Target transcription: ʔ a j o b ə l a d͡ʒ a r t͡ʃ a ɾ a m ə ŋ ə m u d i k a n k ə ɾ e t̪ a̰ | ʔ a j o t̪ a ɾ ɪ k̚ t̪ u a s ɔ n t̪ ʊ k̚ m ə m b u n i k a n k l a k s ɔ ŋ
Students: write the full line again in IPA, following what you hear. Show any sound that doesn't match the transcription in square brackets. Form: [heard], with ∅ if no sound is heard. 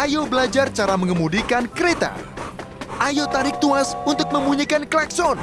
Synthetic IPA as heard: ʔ a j o b ə l a d͡ʒ a r t͡ʃ a ɾ a m ə ŋ ə m u d i k a n k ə ɾ e t̪ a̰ | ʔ a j o t̪ a ɾ ɪ k̚ t̪ u a s [u] n t̪ ʊ k̚ m ə m b u [ɲ] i k a n k l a k s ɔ [n]